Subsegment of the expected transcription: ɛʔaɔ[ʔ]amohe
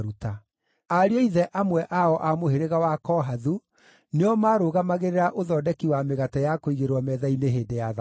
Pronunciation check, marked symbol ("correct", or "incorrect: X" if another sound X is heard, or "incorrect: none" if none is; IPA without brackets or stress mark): correct